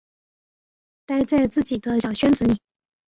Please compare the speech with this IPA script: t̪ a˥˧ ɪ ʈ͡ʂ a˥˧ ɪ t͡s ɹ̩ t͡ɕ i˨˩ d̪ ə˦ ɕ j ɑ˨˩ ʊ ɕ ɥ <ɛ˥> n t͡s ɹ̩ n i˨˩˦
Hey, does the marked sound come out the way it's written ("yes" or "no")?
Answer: yes